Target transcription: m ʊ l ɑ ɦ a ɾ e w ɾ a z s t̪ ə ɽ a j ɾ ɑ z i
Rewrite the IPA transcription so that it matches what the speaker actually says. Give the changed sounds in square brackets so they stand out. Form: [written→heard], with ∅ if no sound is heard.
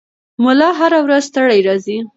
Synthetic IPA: m ʊ l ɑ ɦ a ɾ [e→a] w ɾ a z s t̪ ə ɽ a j ɾ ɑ z i